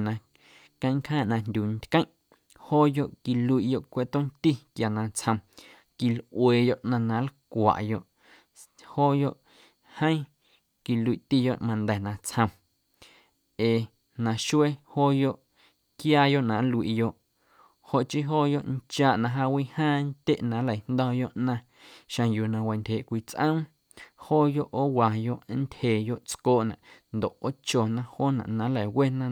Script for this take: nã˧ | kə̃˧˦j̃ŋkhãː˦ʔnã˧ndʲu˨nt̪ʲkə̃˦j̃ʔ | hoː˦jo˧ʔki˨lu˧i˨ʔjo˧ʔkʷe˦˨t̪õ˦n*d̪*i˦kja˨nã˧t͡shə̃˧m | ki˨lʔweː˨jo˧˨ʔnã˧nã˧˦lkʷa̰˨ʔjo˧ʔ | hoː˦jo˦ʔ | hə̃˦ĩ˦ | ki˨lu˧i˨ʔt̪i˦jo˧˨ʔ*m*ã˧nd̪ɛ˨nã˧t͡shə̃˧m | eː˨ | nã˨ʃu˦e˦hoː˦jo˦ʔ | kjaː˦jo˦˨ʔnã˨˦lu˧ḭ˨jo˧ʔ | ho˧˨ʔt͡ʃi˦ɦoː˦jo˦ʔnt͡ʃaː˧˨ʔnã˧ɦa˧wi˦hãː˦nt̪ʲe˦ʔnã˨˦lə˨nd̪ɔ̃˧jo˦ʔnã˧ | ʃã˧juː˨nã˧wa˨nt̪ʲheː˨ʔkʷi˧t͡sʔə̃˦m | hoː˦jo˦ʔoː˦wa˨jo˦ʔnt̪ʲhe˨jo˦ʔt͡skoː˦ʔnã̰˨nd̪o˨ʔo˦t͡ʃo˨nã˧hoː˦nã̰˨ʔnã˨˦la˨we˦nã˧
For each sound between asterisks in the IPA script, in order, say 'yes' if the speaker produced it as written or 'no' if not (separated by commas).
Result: no, yes